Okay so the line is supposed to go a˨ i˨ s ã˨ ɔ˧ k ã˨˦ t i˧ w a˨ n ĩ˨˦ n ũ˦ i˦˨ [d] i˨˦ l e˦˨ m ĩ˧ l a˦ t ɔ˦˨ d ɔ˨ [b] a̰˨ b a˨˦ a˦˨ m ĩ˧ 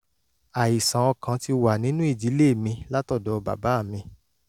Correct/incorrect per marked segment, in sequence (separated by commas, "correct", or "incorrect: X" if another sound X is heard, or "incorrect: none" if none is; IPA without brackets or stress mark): incorrect: d͡ʒ, correct